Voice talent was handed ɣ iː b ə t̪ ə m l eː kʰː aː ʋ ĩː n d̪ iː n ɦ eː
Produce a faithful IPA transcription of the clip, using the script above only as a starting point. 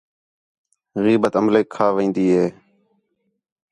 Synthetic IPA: ɣ iː b ə t̪ ə m l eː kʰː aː ʋ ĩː n d̪ iː ɦ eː